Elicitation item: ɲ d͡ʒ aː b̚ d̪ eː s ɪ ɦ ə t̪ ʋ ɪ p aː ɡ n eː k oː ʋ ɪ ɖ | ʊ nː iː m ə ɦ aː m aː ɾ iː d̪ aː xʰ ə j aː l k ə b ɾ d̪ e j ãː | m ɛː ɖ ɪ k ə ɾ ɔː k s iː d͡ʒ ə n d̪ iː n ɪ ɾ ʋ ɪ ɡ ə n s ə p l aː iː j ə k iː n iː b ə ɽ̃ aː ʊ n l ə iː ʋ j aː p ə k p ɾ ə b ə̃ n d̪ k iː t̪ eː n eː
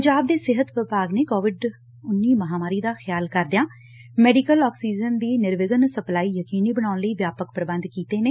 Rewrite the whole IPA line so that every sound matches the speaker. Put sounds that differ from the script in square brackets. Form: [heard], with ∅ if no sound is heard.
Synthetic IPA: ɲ d͡ʒ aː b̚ d̪ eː s ɪ ɦ ə t̪ ʋ ɪ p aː ɡ n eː k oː ʋ ɪ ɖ | ʊ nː iː m ə ɦ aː m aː ɾ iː d̪ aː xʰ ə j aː l k ə [∅] ɾ d̪ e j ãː | m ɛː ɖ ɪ k ə [l] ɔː k s iː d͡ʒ ə n d̪ iː n ɪ ɾ ʋ ɪ ɡ ə n s ə p l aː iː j ə k iː n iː b ə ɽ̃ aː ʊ n l ə iː ʋ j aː p ə k p ɾ ə b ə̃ n d̪ k iː t̪ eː n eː